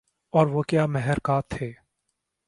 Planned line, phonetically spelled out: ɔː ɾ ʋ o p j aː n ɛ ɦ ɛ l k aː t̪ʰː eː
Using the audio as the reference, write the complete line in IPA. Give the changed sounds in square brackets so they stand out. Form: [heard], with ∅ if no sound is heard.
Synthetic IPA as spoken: ɔː ɾ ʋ o [k] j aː [m] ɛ ɦ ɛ [ɾ] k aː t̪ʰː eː